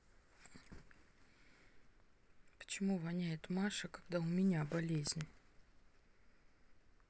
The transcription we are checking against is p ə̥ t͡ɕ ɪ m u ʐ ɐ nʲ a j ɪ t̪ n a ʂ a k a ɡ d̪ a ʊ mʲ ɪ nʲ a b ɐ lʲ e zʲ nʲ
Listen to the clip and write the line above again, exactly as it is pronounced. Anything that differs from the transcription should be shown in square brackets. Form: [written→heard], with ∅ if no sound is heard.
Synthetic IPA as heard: p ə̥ t͡ɕ ɪ m u [ʐ→v] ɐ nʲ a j ɪ t̪ [n→m] a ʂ [a→ə] k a ɡ d̪ a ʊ mʲ ɪ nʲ a b ɐ lʲ e zʲ nʲ

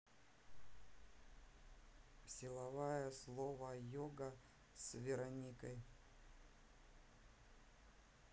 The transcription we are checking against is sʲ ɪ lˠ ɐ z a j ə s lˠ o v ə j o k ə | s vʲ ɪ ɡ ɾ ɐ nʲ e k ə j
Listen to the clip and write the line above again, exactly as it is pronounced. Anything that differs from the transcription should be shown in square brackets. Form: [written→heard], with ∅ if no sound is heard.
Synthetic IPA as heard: sʲ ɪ lˠ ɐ [z→v] a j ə s lˠ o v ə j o [k→ɡ] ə | s vʲ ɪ [ɡ→∅] ɾ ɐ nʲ [e→i] k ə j

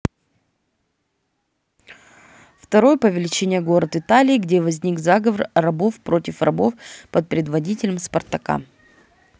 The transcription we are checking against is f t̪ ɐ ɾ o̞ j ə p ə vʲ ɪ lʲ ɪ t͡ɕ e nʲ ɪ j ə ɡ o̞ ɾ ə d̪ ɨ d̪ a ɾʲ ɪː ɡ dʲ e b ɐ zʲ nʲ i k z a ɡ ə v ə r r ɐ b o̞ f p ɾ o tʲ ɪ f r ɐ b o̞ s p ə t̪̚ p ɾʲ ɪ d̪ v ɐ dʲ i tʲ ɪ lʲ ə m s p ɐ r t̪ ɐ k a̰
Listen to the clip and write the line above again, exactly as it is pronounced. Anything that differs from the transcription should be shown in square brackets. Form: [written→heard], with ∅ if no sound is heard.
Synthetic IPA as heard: f t̪ ɐ ɾ o̞ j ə p ə vʲ ɪ lʲ ɪ t͡ɕ e nʲ ɪ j ə ɡ o̞ ɾ ə [d̪→t̪] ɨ [d̪→t̪] a [ɾʲ→lʲ] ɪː ɡ dʲ e [b→v] ɐ zʲ nʲ i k z a ɡ ə v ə r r ɐ b o̞ f p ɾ o tʲ ɪ f r ɐ b o̞ [s→f] p ə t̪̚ p ɾʲ ɪ d̪ v ɐ dʲ i tʲ ɪ lʲ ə m s p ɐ r t̪ ɐ k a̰

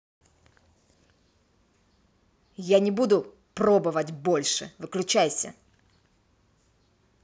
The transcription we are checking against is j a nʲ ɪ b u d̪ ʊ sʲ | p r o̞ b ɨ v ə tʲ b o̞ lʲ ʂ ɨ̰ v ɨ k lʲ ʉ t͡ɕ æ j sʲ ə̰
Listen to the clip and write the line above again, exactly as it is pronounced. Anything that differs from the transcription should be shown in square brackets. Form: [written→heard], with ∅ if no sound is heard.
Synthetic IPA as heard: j a nʲ ɪ b u d̪ ʊ [sʲ→∅] | p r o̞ b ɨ v ə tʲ b o̞ lʲ ʂ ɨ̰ v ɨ k lʲ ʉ t͡ɕ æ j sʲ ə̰

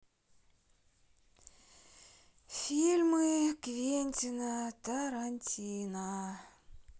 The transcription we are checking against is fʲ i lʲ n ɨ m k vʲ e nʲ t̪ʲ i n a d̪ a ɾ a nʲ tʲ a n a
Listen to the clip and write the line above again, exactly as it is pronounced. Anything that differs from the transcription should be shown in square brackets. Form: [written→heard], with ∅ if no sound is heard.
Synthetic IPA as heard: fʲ i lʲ [n→m] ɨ [m→∅] k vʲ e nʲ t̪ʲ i n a [d̪→t̪] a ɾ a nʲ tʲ [a→i] n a

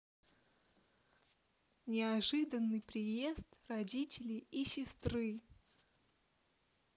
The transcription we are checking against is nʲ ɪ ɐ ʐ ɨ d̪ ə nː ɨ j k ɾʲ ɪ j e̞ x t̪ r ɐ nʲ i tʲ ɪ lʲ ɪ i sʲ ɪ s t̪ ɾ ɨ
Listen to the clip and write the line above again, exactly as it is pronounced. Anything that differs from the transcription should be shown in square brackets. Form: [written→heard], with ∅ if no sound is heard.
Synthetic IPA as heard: nʲ ɪ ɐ ʐ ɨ d̪ ə nː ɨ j [k→p] ɾʲ ɪ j e̞ [x→s] t̪ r ɐ [nʲ→dʲ] i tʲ ɪ lʲ ɪ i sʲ ɪ s t̪ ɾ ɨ

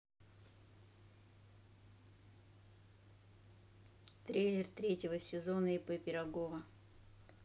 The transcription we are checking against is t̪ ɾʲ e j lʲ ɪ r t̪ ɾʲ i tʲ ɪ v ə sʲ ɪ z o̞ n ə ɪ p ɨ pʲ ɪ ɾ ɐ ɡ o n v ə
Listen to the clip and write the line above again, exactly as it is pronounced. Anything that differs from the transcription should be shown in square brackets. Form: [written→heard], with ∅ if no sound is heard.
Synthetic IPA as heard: t̪ ɾʲ e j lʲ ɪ r t̪ ɾʲ [i→e] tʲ ɪ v ə sʲ ɪ z o̞ n ə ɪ p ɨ pʲ ɪ ɾ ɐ ɡ o [n→∅] v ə

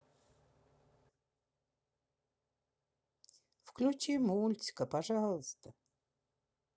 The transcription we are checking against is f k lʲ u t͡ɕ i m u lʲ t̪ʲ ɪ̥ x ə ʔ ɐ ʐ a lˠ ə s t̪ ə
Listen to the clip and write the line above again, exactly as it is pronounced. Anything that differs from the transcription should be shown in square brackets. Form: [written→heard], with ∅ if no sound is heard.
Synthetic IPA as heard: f k lʲ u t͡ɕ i m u lʲ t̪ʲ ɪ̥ [x→k] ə [ʔ→p] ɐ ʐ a lˠ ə s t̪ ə

